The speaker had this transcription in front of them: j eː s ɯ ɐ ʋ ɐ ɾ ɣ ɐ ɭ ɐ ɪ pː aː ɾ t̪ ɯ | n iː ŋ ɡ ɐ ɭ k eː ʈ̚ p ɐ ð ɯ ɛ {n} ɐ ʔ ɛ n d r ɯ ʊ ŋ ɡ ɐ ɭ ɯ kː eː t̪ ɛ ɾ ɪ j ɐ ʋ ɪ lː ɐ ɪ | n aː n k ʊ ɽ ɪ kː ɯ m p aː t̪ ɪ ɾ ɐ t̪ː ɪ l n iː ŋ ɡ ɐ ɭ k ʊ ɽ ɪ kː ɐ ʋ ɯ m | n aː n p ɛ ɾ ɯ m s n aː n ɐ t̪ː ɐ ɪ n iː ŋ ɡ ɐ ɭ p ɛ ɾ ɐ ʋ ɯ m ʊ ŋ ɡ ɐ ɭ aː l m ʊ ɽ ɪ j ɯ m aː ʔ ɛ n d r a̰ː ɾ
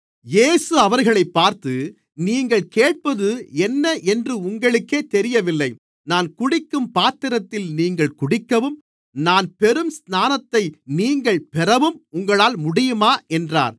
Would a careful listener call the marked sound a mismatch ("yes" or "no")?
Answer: yes